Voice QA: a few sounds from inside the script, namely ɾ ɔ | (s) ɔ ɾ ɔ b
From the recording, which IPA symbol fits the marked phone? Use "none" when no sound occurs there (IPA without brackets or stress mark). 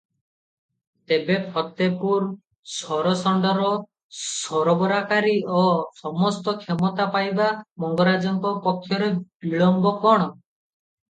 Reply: s